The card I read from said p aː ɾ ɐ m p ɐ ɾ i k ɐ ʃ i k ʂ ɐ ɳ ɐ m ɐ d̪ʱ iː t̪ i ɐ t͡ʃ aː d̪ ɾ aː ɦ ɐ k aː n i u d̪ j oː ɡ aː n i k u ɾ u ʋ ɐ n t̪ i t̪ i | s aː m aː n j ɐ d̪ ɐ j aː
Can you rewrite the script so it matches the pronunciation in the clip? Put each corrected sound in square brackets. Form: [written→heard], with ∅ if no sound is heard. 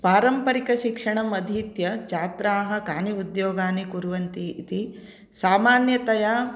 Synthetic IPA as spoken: p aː ɾ ɐ m p ɐ ɾ i k ɐ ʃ i k ʂ ɐ ɳ ɐ m ɐ d̪ʱ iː t̪ [i→j] ɐ t͡ʃ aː [d̪→t̪] ɾ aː ɦ ɐ k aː n i u d̪ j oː ɡ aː n i k u ɾ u ʋ ɐ n t̪ i t̪ i | s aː m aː n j ɐ [d̪→t̪] ɐ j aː